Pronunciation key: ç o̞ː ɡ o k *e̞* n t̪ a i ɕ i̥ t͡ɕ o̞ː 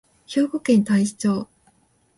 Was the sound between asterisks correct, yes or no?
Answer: no